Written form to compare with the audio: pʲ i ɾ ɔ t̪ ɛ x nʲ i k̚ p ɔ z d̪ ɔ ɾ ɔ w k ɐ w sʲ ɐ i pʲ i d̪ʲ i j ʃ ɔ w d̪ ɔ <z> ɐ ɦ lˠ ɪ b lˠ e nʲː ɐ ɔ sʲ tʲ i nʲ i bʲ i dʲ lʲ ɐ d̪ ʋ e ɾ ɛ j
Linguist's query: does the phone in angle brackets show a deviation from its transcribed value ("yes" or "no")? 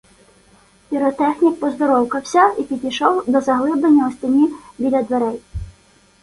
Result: no